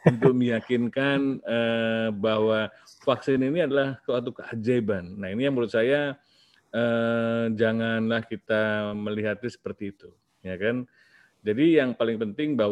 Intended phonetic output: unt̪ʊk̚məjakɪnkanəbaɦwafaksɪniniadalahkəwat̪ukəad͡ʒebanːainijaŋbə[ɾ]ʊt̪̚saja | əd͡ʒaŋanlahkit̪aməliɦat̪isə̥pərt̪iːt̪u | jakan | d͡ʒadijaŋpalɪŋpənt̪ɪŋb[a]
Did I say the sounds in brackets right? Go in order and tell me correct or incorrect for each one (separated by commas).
correct, correct